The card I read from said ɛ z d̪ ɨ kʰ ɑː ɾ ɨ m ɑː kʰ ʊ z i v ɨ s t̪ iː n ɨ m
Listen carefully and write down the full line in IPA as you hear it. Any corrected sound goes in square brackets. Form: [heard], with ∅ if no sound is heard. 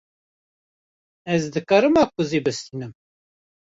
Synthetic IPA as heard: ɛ z d̪ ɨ [k] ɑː ɾ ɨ m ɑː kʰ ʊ z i [b] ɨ s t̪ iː n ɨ m